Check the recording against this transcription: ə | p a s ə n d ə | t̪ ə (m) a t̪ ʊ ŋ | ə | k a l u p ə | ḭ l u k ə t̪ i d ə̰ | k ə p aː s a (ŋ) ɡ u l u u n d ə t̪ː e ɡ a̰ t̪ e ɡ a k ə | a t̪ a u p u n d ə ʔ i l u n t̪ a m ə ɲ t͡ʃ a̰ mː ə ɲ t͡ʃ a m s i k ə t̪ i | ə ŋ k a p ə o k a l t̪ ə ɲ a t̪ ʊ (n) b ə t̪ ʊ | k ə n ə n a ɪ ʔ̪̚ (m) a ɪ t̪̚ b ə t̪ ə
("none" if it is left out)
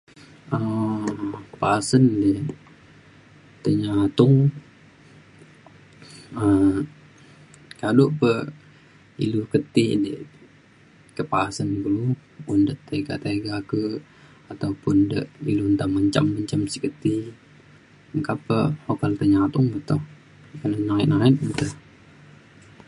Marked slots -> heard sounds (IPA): ɲ, n, ŋ, n

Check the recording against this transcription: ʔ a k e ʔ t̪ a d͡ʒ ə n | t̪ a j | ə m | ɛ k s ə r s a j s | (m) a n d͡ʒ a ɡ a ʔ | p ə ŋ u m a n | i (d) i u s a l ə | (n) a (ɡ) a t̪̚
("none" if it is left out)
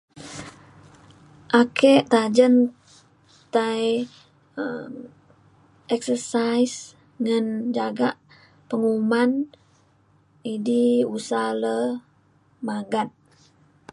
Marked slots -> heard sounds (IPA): ŋ, d, m, ɡ

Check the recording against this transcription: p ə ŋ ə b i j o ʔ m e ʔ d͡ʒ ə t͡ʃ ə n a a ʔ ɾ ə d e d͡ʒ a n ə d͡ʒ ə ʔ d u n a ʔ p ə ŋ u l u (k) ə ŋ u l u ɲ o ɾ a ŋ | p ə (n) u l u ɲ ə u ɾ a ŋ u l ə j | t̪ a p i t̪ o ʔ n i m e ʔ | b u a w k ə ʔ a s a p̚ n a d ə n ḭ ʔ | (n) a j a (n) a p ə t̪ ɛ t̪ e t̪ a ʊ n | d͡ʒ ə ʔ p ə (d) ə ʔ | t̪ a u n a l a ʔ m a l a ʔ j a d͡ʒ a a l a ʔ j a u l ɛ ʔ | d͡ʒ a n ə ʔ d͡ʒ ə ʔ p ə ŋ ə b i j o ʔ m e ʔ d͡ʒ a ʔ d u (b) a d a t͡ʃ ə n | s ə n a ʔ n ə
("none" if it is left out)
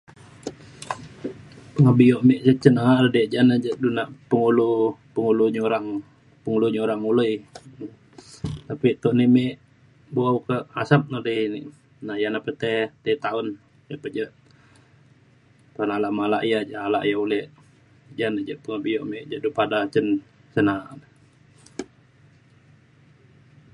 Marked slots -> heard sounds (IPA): p, ŋ, n, n, d͡ʒ, p

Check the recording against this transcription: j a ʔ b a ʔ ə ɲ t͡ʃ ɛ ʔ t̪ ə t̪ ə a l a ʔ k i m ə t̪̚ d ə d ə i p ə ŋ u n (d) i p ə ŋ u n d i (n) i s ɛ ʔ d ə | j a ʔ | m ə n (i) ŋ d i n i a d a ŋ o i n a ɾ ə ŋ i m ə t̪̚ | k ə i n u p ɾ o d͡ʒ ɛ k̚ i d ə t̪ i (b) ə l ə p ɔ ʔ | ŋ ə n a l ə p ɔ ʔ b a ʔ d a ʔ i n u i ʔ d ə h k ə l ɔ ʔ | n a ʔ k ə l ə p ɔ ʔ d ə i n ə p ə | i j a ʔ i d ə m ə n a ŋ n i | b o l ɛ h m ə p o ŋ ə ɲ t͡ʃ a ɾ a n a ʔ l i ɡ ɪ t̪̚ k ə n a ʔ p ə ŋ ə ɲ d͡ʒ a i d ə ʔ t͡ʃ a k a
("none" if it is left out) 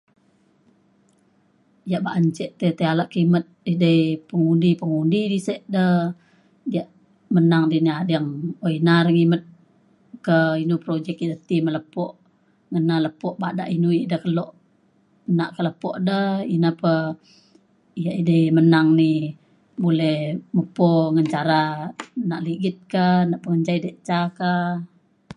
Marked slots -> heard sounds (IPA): d, d, a, m

